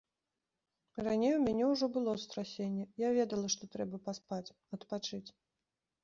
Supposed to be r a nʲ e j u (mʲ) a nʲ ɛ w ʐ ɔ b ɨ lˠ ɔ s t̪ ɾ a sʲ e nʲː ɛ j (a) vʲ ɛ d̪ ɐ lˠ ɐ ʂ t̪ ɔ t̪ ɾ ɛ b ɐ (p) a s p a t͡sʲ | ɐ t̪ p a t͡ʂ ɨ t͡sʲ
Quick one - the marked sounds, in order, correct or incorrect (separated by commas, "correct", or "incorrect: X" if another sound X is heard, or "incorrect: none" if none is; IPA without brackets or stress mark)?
correct, correct, correct